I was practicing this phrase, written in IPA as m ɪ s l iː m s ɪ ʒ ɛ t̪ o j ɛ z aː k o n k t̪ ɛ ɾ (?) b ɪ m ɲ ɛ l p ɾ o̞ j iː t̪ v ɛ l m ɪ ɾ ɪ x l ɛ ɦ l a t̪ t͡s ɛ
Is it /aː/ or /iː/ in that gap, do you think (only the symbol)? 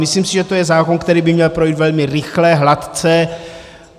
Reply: iː